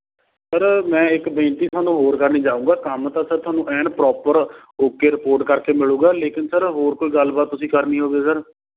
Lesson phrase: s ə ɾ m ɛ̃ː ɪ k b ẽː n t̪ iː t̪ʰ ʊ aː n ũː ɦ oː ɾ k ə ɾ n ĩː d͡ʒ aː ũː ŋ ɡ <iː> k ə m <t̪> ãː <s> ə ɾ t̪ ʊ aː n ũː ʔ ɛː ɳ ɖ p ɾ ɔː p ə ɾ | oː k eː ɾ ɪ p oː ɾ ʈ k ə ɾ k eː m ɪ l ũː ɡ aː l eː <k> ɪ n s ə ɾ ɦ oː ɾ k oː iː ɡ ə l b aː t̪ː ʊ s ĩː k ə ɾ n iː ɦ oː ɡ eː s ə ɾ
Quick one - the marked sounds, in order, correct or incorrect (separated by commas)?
incorrect, correct, correct, correct